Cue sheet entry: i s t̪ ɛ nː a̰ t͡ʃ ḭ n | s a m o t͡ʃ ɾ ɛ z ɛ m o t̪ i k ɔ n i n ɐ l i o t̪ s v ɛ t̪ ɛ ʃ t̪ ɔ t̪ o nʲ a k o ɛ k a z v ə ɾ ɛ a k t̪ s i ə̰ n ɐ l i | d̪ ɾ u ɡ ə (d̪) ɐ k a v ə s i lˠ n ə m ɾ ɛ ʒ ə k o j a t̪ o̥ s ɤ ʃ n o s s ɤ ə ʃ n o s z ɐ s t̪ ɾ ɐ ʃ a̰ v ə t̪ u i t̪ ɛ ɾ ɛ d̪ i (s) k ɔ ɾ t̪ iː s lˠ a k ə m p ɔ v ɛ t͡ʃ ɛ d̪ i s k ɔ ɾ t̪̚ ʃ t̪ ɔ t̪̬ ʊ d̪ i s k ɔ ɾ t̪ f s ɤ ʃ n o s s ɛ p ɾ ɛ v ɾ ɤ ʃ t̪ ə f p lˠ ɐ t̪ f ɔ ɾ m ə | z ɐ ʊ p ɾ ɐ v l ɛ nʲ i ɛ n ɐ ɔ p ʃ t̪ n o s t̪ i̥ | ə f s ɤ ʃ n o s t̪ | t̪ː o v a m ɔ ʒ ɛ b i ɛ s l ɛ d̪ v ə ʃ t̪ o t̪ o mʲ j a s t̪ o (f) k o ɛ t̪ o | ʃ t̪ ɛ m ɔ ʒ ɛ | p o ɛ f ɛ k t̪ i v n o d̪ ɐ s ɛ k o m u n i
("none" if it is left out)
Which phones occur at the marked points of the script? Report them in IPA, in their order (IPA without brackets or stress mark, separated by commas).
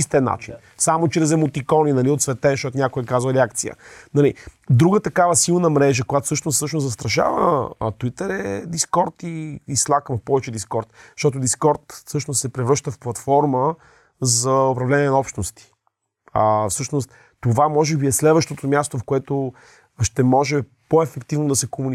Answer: t̪, s, f